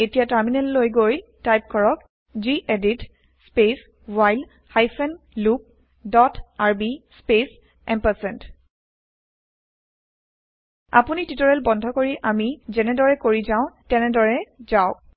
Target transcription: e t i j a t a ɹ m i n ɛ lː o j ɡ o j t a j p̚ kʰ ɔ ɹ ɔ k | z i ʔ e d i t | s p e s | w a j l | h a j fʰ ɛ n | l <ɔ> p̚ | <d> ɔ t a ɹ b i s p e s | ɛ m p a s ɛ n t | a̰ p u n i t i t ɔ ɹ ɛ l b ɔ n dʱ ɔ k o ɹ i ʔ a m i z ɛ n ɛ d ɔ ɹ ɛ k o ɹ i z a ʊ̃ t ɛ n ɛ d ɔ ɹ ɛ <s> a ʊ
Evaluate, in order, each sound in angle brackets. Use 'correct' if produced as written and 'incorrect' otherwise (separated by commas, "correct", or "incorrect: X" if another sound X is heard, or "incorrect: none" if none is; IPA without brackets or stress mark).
incorrect: u, correct, incorrect: z